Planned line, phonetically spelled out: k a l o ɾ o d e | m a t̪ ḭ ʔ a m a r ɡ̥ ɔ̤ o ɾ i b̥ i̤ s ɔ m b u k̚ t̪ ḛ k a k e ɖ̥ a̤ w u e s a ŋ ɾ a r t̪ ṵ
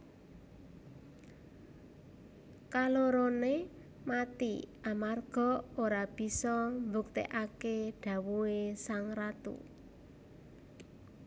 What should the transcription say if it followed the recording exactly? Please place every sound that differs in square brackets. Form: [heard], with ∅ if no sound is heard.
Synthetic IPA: k a l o ɾ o [n] e | m a t̪ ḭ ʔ a m a r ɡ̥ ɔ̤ o ɾ [a] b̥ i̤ s ɔ m b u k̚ t̪ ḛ [ʔ] a k e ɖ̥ a̤ w u e s a ŋ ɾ a [∅] t̪ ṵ